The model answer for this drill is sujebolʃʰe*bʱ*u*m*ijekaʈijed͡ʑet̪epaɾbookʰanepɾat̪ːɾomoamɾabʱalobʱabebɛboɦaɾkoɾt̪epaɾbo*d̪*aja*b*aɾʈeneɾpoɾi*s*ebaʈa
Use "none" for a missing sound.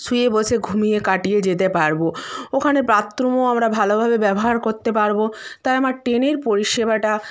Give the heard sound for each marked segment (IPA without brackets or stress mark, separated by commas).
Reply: ɡʱ, m, t̪, m, ʃ